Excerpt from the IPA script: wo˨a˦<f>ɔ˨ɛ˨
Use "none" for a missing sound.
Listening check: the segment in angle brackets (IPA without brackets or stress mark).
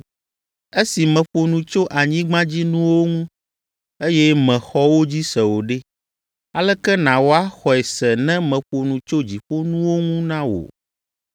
x